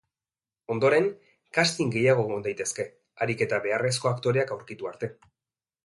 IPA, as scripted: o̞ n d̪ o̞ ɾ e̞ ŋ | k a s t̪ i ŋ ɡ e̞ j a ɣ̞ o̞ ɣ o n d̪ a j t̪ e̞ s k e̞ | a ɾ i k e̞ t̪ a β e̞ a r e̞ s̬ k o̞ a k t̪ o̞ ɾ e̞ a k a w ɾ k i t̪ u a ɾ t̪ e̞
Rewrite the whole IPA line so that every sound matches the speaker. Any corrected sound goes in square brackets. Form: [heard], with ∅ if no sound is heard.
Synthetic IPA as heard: o̞ n d̪ o̞ ɾ e̞ ŋ | k a s t̪ i ŋ ɡ e̞ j a ɣ̞ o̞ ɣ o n d̪ a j t̪ e̞ s k e̞ | a ɾ i k e̞ t̪ a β e̞ a r e̞ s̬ k o̞ a k t̪ o̞ ɾ e̞ a k a w ɾ k i t̪ u a ɾ t̪ e̞

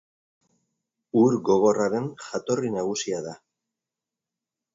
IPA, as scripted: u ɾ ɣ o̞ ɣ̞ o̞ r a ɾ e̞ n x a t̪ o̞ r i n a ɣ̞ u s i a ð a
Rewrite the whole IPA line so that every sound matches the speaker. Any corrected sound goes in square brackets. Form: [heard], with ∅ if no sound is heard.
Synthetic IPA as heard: u ɾ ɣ o̞ ɣ̞ o̞ r a ɾ e̞ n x a t̪ o̞ r i n a ɣ̞ u s i a ð a

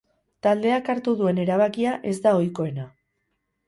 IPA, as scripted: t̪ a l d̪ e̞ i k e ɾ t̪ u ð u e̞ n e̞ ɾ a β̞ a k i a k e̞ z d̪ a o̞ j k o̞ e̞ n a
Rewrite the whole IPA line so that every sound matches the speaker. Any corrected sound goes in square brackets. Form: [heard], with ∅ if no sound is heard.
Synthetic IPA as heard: t̪ a l d̪ e̞ [a] k [a] ɾ t̪ u ð u e̞ n e̞ ɾ a β̞ a k i a [ʔ] e̞ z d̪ a o̞ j k o̞ e̞ n a

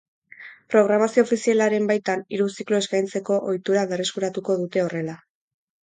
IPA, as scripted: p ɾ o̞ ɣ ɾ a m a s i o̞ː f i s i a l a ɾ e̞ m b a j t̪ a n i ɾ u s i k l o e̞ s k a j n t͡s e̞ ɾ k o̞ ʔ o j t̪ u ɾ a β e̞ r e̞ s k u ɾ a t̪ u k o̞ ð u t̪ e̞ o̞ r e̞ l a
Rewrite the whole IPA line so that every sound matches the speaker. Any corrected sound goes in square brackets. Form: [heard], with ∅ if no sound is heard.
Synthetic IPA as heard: p ɾ o̞ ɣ ɾ a m a s i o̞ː f i s i a l a ɾ e̞ m b a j t̪ a n i ɾ u s i k l o e̞ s k a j n t͡s e̞ [∅] k o̞ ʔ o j t̪ u ɾ a β e̞ r e̞ s k u ɾ a t̪ u k o̞ ð u t̪ e̞ o̞ r e̞ l a

